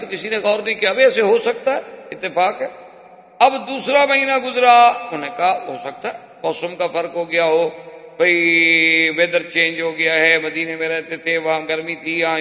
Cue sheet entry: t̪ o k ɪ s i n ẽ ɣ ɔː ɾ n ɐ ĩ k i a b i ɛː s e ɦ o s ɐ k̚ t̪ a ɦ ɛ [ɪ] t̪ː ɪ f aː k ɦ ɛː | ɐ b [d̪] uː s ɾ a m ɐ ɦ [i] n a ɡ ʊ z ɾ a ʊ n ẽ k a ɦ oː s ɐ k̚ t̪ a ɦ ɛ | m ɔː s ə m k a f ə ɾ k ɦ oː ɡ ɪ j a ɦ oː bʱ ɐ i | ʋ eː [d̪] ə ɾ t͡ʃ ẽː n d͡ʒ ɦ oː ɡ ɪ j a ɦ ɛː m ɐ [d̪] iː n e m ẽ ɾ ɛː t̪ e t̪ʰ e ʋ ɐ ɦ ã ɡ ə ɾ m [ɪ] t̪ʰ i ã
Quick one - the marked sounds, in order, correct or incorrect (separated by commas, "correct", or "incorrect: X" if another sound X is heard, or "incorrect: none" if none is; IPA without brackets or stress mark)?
correct, correct, incorrect: iː, correct, correct, incorrect: i